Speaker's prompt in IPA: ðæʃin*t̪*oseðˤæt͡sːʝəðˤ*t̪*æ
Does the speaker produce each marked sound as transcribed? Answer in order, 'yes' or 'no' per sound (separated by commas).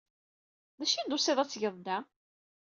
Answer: no, no